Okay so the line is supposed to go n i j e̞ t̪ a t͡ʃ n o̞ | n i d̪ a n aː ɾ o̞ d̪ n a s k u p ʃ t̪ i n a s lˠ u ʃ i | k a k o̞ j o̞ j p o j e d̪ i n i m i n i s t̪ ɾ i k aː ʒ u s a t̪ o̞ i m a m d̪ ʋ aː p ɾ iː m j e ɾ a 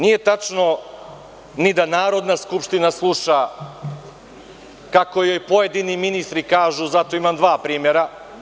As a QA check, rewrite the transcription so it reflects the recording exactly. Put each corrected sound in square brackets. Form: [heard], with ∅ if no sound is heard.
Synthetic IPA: n i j e̞ t̪ a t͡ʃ n o̞ | n i d̪ a n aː ɾ o̞ d̪ n a s k u p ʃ t̪ i n a s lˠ u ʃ [a] | k a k o̞ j o̞ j p o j e d̪ i n i m i n i s t̪ ɾ i k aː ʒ u [z] a t̪ o̞ i m a m d̪ ʋ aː p ɾ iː m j e ɾ a

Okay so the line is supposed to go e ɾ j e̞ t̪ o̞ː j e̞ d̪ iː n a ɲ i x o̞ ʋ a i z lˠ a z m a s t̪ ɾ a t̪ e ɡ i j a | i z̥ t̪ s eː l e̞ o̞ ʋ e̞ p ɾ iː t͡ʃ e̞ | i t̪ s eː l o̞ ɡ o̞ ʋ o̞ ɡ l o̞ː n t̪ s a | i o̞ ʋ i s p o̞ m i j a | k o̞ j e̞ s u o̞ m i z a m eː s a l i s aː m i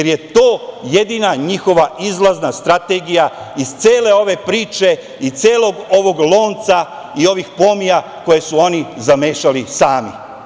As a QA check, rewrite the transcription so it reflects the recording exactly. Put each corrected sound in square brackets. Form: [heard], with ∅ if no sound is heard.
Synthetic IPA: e ɾ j e̞ t̪ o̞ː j e̞ d̪ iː n a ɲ i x o̞ ʋ a i z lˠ a z [n] a s t̪ ɾ a t̪ e ɡ i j a | i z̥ t̪ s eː l e̞ o̞ ʋ e̞ p ɾ iː t͡ʃ e̞ | i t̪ s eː l o̞ ɡ o̞ ʋ o̞ ɡ l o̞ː n t̪ s a | i o̞ ʋ i [x] p o̞ m i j a | k o̞ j e̞ s u o̞ [n] i z a m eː [ʃ] a l i s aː m i

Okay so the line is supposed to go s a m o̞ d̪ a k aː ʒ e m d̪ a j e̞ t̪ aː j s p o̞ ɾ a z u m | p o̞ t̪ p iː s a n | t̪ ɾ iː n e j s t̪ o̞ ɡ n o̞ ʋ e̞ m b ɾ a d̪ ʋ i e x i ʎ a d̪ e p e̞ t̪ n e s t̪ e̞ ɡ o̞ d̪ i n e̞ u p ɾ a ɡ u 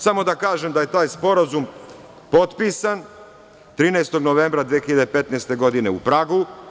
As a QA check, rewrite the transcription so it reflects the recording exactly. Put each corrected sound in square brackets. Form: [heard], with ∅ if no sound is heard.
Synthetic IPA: s a m o̞ d̪ a k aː ʒ e m d̪ a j e̞ t̪ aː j s p o̞ ɾ a z u m | p o̞ t̪ p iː s a n | t̪ ɾ iː n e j s t̪ o̞ ɡ n o̞ ʋ e̞ m b ɾ a d̪ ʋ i e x i ʎ a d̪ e p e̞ t̪ n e s t̪ e̞ ɡ o̞ d̪ i n e̞ u p ɾ a ɡ u

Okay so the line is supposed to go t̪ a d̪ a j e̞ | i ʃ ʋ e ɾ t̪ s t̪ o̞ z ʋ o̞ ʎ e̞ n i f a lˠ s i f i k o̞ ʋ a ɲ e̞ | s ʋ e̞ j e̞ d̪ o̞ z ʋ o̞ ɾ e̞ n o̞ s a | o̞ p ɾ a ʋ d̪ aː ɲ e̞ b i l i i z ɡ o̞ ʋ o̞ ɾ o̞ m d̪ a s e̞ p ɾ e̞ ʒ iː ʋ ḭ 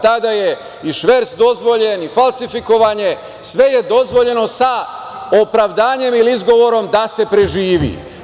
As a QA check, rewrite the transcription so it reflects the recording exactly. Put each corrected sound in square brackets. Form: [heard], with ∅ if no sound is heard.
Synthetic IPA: t̪ a d̪ a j e̞ | i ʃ ʋ e ɾ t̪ s [d̪] o̞ z ʋ o̞ ʎ e̞ n i f a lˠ s i f i k o̞ ʋ a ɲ e̞ | s ʋ e̞ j e̞ d̪ o̞ z ʋ o̞ [ʎ] e̞ n o̞ s a | o̞ p ɾ a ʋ d̪ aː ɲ e̞ [m] i l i i z ɡ o̞ ʋ o̞ ɾ o̞ m d̪ a s e̞ p ɾ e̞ ʒ iː ʋ ḭ

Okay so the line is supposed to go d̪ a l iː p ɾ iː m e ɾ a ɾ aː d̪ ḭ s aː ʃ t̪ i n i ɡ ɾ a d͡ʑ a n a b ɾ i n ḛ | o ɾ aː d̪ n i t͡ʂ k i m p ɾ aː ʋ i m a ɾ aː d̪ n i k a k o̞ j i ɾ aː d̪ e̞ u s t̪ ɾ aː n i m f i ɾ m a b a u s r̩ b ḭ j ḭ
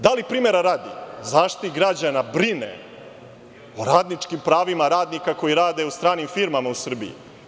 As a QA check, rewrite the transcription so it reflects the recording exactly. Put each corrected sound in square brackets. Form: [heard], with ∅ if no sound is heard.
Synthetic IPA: d̪ a l [i] p ɾ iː m e ɾ a ɾ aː d̪ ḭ [z] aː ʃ t̪ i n i ɡ ɾ a d͡ʑ a n a b ɾ i n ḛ | o ɾ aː d̪ n i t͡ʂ k i m p ɾ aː ʋ i m a ɾ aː d̪ n i k a k o̞ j i ɾ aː d̪ e̞ u s t̪ ɾ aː n i m f i ɾ m a [m] a u s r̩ b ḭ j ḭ

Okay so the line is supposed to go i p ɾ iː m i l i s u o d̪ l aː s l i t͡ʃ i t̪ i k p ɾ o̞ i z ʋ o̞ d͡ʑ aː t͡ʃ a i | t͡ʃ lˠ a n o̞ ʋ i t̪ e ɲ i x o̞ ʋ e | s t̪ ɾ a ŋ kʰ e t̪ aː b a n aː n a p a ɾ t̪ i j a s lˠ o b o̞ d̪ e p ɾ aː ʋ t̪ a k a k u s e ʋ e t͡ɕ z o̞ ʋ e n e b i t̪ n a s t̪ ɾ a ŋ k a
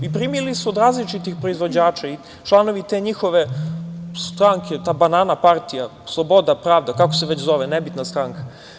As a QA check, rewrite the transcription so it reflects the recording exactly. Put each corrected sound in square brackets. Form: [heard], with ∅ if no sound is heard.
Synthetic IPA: i p ɾ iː m i l i s u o d̪ [ɾ] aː [z] l i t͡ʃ i t̪ i [x] p ɾ o̞ i z ʋ o̞ d͡ʑ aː t͡ʃ a i | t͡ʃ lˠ a n o̞ ʋ i t̪ e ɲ i x o̞ ʋ e | s t̪ ɾ a ŋ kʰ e t̪ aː b a n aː n a p a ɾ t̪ i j a s lˠ o b o̞ d̪ [a] p ɾ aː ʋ [d̪] a k a k [o] s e ʋ e t͡ɕ z o̞ ʋ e n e b i t̪ n a s t̪ ɾ a ŋ k a

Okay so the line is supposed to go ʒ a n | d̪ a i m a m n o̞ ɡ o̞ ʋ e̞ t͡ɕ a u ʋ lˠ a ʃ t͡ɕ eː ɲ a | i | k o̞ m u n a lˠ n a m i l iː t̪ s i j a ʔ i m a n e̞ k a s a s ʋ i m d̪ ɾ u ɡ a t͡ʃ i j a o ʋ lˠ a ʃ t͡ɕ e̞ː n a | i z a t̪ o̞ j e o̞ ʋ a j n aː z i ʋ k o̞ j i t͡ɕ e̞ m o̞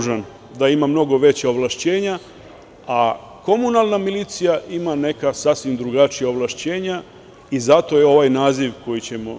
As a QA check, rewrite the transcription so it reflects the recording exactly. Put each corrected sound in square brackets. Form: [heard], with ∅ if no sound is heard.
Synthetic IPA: ʒ a n | d̪ a i m a m n o̞ ɡ o̞ ʋ e̞ t͡ɕ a [o] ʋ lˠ a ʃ t͡ɕ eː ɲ a | [a] | k o̞ m u n a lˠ n a m i l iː t̪ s i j a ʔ i m a n e̞ k a s a s ʋ i m d̪ ɾ u ɡ a t͡ʃ i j a o ʋ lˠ a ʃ t͡ɕ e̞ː [ɲ] a | i z a t̪ o̞ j e o̞ ʋ a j n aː z i ʋ k o̞ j i t͡ɕ e̞ m o̞

